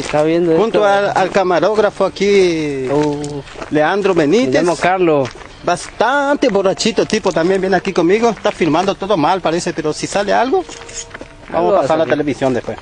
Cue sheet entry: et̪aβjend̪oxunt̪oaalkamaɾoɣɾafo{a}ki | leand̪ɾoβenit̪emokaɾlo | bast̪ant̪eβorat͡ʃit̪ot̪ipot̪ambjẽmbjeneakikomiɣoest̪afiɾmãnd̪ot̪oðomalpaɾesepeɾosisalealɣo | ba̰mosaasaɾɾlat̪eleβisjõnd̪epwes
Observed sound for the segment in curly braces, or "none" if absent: a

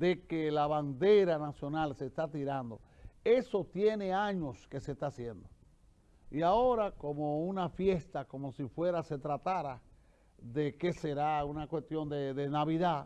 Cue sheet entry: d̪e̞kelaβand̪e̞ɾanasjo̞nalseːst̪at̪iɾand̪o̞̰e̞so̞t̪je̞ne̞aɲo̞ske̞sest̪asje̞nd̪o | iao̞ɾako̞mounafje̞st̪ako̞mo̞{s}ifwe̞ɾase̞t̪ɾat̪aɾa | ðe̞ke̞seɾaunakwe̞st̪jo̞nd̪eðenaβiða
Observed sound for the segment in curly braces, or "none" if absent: s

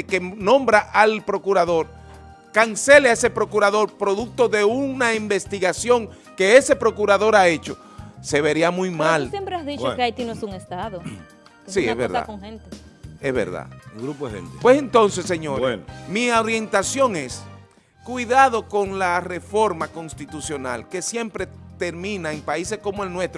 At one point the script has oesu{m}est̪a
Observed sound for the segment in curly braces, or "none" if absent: ŋ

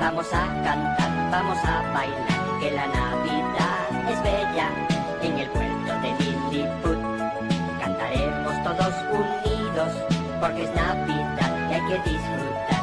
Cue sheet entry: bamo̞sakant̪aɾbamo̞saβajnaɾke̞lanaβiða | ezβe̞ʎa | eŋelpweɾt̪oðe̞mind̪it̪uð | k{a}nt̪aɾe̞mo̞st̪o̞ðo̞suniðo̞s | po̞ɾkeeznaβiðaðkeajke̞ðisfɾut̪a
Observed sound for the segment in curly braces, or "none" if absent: a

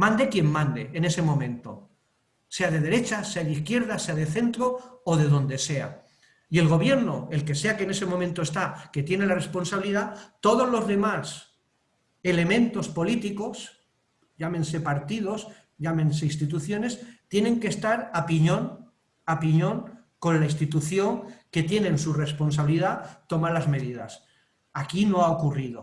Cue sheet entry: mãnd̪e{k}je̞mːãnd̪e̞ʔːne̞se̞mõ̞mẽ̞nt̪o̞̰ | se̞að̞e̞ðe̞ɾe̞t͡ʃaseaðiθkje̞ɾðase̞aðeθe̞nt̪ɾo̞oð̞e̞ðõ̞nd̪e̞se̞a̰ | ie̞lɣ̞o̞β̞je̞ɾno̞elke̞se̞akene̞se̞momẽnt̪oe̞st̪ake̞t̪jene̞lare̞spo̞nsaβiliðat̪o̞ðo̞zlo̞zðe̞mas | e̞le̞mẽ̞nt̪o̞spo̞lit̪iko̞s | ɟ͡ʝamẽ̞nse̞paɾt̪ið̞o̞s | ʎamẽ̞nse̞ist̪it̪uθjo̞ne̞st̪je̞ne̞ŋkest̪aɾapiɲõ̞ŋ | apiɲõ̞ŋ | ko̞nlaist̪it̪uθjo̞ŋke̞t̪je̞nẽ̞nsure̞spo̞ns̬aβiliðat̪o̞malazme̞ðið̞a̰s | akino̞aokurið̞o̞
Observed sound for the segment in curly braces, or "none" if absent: k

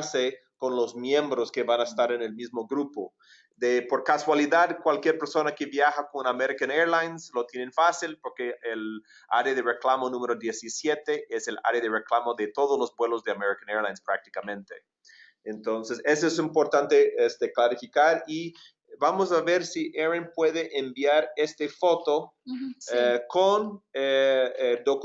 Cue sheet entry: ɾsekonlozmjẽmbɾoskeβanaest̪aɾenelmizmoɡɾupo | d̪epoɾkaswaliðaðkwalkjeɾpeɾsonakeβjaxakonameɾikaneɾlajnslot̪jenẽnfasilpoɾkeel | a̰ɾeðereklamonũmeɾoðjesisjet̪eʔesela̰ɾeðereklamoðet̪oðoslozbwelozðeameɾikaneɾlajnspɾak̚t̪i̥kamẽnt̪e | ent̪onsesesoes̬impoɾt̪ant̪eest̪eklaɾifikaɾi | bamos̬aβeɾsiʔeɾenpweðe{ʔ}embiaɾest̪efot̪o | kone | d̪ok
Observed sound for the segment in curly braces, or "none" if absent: ʔ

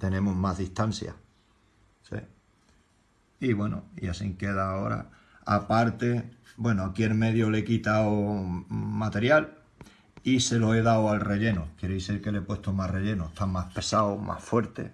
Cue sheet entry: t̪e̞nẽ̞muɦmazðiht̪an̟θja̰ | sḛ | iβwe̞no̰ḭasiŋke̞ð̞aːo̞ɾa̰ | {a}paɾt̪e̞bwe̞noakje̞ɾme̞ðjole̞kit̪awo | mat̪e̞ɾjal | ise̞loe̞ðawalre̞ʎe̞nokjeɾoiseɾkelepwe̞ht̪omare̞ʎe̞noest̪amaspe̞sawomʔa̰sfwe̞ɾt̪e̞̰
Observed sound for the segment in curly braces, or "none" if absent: a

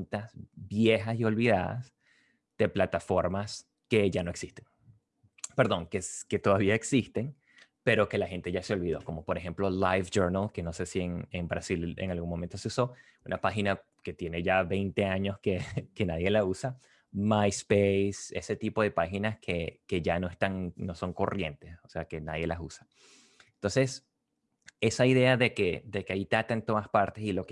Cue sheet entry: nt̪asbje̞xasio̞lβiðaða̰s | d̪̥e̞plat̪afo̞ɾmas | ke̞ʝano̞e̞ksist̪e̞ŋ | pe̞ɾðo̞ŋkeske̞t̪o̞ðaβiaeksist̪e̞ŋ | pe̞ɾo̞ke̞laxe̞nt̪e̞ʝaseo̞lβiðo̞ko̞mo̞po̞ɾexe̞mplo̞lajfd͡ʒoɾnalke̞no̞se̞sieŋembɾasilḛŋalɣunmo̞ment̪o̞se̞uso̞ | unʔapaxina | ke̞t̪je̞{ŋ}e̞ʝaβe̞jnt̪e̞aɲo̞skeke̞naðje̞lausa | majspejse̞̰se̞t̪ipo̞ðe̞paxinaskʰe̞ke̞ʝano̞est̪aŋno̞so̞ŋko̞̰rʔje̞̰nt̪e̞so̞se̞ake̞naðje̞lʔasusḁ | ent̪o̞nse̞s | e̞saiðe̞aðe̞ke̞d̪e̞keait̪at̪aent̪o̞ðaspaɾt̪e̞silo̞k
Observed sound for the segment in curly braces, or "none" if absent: n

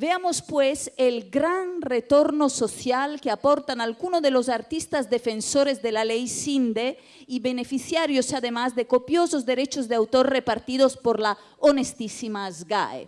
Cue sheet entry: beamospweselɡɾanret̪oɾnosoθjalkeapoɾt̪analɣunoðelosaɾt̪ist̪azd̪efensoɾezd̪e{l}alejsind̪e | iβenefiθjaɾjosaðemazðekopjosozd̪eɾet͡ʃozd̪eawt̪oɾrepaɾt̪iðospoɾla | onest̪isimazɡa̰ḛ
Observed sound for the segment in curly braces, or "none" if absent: l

